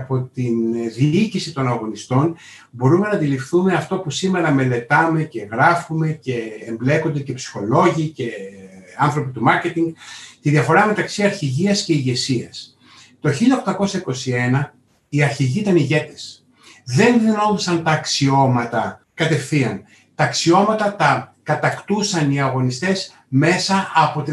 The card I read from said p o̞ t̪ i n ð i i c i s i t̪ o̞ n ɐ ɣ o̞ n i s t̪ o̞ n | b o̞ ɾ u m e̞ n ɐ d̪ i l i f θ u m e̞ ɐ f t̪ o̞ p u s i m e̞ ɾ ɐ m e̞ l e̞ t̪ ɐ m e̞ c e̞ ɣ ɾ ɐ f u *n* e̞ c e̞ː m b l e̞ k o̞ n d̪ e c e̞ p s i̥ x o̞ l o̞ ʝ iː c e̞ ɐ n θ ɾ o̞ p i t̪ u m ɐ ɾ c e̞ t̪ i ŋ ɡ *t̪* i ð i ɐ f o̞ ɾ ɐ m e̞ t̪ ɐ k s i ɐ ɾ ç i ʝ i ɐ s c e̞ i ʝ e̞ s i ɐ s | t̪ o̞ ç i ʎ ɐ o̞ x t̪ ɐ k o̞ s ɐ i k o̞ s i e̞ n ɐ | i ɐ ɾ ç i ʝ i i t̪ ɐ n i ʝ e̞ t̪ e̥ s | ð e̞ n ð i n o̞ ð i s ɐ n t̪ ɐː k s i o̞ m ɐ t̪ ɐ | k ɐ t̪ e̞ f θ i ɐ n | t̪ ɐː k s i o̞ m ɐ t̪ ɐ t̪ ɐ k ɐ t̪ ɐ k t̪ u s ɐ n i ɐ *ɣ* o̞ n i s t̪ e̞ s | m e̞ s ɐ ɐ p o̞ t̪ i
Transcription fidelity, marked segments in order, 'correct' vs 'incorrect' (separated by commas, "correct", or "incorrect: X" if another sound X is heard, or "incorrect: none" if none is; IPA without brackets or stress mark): incorrect: m, correct, correct